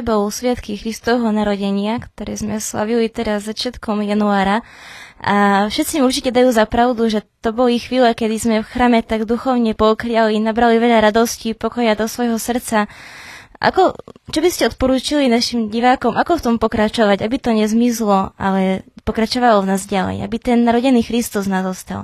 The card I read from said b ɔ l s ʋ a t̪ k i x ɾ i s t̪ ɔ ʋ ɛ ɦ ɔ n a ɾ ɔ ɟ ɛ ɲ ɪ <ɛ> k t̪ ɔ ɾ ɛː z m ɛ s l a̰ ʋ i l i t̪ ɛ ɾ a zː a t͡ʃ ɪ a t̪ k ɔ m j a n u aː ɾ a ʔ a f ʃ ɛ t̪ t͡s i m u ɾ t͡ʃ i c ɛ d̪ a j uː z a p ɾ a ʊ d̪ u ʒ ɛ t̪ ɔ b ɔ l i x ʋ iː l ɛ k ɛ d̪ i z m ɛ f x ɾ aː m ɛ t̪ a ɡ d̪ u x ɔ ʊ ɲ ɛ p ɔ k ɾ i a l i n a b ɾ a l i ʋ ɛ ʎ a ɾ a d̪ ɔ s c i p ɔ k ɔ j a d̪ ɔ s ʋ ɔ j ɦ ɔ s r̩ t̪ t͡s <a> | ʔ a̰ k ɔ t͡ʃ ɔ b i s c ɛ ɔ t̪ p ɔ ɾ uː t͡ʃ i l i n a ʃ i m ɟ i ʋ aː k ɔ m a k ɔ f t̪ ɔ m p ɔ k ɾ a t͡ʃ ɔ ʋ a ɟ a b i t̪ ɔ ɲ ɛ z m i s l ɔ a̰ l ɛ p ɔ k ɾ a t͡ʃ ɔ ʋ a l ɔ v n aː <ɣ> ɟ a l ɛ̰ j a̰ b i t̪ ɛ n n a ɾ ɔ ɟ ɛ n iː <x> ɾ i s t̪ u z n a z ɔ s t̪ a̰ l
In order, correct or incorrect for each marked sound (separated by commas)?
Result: incorrect, correct, incorrect, correct